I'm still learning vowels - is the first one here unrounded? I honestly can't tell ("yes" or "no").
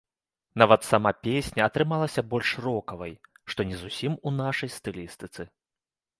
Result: yes